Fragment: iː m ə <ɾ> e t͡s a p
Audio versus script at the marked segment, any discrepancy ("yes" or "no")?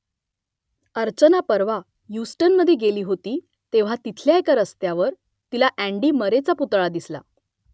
no